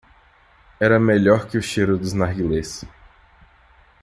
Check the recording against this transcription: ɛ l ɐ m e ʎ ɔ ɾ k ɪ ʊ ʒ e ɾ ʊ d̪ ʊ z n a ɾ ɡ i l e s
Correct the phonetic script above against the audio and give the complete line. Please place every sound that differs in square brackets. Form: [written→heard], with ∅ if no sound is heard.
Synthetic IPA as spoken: ɛ [l→ɾ] ɐ m e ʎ ɔ ɾ k ɪ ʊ [ʒ→ʃ] e ɾ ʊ d̪ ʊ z n a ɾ ɡ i l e s